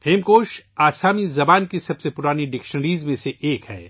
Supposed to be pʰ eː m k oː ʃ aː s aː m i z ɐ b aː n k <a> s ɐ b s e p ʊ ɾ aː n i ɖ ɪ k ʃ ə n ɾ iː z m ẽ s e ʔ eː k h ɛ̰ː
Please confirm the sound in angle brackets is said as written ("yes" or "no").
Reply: no